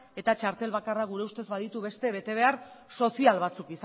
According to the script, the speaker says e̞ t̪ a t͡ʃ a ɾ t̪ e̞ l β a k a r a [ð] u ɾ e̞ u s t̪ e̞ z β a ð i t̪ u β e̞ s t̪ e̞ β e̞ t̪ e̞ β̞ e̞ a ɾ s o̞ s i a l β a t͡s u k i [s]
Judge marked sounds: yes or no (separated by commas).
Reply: no, yes